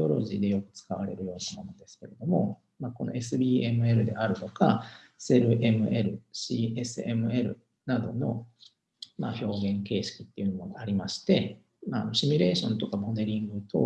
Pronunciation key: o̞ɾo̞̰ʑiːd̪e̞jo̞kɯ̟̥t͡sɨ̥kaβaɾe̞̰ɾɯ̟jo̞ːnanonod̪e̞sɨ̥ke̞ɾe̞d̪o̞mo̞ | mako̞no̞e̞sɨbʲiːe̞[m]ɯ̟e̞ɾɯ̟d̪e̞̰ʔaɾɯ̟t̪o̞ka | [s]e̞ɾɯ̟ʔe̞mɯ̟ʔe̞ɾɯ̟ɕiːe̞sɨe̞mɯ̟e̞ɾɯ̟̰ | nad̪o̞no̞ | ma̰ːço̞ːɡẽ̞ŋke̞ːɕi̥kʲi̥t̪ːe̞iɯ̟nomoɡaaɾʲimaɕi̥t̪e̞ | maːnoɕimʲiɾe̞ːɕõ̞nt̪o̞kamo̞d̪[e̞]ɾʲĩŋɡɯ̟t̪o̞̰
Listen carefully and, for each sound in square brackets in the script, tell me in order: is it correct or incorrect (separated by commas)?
correct, correct, correct